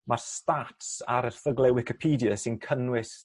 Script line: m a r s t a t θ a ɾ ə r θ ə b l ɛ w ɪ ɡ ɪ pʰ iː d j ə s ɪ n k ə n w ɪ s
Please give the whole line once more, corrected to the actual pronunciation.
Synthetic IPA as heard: m a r s t a t s a ɾ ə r θ ə ɡ l ɛ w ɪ k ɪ pʰ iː d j ə s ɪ n kʰ ə n w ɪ s